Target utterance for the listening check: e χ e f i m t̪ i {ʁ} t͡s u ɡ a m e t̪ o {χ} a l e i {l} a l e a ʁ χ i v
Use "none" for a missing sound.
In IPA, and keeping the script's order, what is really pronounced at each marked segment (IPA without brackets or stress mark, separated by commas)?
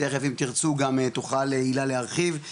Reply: ʁ, χ, l